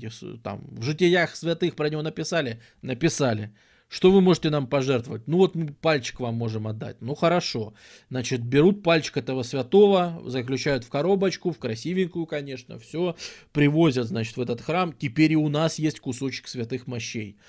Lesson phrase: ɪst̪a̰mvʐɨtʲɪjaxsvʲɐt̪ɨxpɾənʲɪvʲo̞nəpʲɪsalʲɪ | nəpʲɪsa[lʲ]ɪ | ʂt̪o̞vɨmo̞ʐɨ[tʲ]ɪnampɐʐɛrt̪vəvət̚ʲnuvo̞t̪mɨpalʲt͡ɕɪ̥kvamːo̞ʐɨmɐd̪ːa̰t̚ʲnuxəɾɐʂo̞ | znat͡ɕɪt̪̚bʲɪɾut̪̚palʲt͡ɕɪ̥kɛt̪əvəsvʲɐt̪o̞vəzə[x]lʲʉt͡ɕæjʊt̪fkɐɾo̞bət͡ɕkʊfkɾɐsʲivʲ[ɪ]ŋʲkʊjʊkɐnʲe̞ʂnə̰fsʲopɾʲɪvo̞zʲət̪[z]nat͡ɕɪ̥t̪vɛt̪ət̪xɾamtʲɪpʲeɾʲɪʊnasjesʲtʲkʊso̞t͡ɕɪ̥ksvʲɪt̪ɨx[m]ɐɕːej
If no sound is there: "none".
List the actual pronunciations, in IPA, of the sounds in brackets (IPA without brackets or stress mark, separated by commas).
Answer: lʲ, tʲ, k, ɪ, z, m